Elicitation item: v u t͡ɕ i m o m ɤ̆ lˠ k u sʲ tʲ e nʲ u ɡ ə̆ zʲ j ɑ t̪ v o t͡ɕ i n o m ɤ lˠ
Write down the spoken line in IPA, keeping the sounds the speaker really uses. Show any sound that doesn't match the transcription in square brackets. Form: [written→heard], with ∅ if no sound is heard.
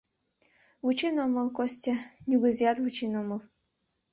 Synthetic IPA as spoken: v u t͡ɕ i [m→n] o m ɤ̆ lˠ k [u→o] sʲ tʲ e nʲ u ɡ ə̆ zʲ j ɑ t̪ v [o→u] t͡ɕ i n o m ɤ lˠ